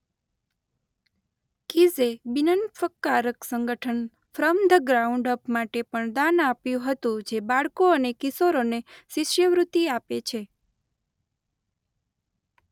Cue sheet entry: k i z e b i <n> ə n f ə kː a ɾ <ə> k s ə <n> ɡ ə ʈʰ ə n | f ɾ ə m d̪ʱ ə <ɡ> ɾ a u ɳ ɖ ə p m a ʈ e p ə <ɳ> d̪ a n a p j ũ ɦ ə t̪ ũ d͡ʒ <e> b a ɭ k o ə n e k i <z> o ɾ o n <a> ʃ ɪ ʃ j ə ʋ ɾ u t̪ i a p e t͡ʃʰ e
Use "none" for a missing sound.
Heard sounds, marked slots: n, ə, ŋ, ɡ, ɳ, e, s, e

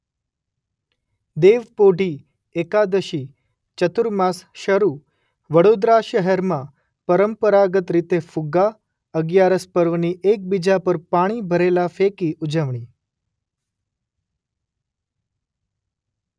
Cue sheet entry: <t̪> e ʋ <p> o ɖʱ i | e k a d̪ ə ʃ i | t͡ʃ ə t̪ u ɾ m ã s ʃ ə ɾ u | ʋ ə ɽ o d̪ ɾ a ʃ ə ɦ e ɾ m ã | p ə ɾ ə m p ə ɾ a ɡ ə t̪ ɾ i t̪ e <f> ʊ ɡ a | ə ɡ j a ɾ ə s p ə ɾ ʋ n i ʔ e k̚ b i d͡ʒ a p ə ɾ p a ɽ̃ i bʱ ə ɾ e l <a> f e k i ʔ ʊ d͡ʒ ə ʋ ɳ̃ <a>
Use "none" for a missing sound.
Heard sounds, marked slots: d̪, p, f, a, i

